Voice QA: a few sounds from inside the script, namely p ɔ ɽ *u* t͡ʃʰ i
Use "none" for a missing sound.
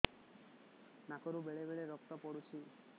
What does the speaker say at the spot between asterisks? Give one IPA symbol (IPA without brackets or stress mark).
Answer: u